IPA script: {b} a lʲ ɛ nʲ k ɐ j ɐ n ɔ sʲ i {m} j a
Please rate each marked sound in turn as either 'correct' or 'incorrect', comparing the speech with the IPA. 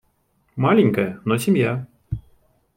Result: incorrect: m, correct

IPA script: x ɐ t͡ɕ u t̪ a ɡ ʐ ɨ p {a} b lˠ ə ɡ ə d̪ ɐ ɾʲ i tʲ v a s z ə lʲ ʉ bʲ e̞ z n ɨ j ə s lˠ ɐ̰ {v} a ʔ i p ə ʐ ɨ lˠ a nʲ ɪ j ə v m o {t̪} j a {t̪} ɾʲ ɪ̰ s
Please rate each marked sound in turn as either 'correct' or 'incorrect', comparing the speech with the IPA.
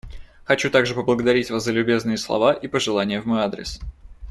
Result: incorrect: ə, correct, incorrect: none, incorrect: d̪

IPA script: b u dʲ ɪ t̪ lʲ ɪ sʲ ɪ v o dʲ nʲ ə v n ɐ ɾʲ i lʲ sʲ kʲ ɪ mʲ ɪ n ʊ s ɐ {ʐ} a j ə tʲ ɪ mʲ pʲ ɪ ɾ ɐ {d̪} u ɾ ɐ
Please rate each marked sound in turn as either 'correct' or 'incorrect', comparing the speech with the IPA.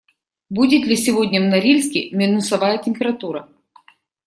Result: incorrect: v, incorrect: t̪

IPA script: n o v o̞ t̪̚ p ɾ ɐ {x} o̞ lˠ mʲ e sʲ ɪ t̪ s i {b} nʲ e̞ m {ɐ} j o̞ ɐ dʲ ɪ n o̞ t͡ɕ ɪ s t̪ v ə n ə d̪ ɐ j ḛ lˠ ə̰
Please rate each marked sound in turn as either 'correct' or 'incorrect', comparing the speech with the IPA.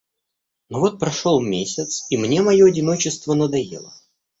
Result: incorrect: ʂ, incorrect: m, correct

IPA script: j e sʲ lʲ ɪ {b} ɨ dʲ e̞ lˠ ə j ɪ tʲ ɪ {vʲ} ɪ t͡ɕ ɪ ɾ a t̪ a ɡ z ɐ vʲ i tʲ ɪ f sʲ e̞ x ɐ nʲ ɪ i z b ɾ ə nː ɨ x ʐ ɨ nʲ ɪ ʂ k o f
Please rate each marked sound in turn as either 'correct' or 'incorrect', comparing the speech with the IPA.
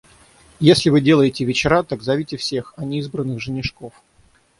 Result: incorrect: v, correct

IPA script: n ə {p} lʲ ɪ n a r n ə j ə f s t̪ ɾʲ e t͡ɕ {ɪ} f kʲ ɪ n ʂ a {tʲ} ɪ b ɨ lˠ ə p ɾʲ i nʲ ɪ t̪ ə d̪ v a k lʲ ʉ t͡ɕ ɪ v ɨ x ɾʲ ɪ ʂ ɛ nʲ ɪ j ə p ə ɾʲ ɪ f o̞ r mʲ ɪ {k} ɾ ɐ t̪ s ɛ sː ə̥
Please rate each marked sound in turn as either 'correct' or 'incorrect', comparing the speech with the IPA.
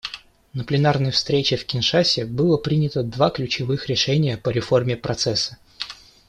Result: correct, correct, incorrect: sʲ, incorrect: p

